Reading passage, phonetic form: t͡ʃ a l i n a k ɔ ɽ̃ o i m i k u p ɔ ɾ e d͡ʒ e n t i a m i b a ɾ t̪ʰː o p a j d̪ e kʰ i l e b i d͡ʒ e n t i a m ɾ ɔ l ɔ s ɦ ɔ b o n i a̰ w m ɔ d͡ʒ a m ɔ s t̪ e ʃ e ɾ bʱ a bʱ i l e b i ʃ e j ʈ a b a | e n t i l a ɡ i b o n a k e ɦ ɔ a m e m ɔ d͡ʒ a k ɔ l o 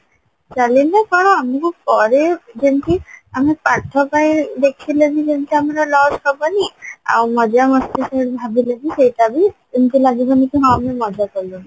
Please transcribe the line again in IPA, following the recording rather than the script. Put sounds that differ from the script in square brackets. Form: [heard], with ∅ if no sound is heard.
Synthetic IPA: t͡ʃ a l i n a k ɔ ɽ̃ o [a] m i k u p ɔ ɾ e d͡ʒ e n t i a m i [p] a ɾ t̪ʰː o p a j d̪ e kʰ i l e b i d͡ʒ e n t i a m ɾ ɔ l ɔ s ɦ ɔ b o n i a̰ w m ɔ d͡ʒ a m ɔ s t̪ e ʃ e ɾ bʱ a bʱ i l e b i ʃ e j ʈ a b [i] | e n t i l a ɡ i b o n [i] k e ɦ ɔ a m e m ɔ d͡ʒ a k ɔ l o